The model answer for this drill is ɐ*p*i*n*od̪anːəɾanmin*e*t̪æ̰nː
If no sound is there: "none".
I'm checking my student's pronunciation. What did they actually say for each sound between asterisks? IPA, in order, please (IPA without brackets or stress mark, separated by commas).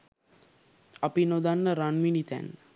p, n, i